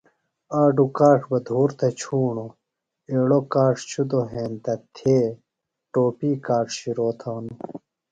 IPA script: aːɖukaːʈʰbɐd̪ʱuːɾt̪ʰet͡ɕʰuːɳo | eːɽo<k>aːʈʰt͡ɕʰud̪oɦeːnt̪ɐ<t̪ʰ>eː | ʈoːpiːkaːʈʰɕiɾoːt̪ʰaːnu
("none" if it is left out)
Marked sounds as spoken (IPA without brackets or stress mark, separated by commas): k, t̪ʰ